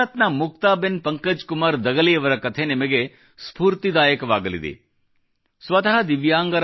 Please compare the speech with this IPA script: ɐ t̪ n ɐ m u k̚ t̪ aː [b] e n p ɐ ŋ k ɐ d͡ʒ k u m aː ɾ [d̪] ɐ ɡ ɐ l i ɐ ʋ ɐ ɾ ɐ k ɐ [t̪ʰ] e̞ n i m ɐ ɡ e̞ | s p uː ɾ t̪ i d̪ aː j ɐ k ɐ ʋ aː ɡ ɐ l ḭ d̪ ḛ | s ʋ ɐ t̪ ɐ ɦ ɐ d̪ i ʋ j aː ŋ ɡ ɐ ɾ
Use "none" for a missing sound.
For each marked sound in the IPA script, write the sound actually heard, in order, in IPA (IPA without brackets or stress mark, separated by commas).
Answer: b, d̪, t̪ʰ